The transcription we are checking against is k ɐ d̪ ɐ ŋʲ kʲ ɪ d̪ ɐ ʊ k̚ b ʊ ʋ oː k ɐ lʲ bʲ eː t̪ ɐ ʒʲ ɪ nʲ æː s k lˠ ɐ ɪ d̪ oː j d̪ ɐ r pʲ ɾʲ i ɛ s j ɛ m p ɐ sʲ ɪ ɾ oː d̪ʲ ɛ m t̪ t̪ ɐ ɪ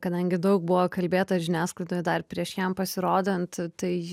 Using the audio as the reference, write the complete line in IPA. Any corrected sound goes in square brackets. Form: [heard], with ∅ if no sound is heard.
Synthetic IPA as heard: k ɐ d̪ ɐ ŋʲ [ɡʲ] ɪ d̪ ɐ ʊ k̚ b ʊ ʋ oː k ɐ lʲ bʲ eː t̪ ɐ ʒʲ ɪ nʲ æː s k lˠ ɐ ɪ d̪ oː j d̪ ɐ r pʲ ɾʲ i ɛ [ʃ] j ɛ m p ɐ sʲ ɪ ɾ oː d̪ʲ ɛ [n] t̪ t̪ ɐ ɪ